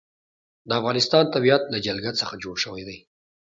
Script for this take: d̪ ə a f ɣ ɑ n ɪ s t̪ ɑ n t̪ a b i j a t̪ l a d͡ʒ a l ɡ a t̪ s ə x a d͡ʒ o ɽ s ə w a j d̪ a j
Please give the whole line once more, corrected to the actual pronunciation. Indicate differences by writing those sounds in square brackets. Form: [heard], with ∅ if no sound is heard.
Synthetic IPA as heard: d̪ ə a f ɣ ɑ n ɪ s t̪ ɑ n t̪ a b i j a t̪ l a d͡ʒ a l ɡ a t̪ s ə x a d͡ʒ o ɽ [ʃ] ə w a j d̪ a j

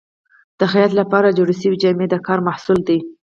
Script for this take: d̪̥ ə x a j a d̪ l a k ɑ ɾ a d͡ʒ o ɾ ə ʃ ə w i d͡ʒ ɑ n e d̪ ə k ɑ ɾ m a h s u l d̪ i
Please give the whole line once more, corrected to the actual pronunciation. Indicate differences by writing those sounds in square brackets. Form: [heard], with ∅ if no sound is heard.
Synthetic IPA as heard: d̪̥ ə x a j a [t̪] l a [p] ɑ ɾ a d͡ʒ o [ɽ] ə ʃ ə w i d͡ʒ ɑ [m] e d̪ ə k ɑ ɾ m a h s u l d̪ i

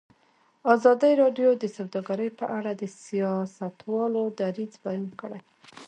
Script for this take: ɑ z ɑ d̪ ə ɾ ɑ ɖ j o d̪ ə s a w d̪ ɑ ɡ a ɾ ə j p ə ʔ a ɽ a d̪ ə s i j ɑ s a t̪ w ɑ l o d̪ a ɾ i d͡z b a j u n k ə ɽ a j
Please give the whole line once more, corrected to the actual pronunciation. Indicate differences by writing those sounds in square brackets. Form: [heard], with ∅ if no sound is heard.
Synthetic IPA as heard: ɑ z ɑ d̪ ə ɾ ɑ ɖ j o d̪ ə s a w d̪ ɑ ɡ a ɾ ə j p ə ʔ a ɽ a d̪ ə s i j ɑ s a t̪ w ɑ l o d̪ a ɾ i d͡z b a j u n k ə ɽ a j

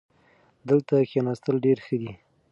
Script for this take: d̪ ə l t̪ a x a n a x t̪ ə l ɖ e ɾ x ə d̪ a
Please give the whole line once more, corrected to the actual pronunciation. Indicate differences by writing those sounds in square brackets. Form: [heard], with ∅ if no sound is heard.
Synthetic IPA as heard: d̪ ə l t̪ a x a n a [s] t̪ ə l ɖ e ɾ x ə d̪ [i]

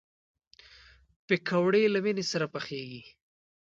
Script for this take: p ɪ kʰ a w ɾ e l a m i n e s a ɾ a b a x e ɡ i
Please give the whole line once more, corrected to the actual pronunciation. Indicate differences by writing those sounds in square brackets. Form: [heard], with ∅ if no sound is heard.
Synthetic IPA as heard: p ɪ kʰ a w [ɽ] e l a m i n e s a ɾ a [p] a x e ɡ i

